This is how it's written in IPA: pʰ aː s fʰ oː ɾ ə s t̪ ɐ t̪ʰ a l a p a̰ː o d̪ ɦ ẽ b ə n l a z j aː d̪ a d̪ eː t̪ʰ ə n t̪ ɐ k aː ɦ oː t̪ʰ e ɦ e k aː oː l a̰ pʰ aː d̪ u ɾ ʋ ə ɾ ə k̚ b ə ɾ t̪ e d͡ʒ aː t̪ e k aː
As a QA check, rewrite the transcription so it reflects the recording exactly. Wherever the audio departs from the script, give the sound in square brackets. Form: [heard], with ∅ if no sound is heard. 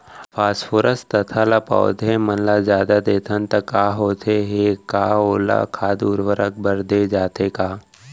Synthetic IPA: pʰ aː s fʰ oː ɾ ə s t̪ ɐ t̪ʰ a l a p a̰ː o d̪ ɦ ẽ [m] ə n l a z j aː d̪ a d̪ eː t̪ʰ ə n t̪ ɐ k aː ɦ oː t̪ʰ e ɦ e k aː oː l a̰ [kʰ] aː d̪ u ɾ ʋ ə ɾ ə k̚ b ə ɾ [d̪] e d͡ʒ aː t̪ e k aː